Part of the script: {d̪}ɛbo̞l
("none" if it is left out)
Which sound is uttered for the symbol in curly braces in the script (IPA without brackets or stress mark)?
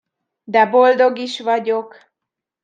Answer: d̪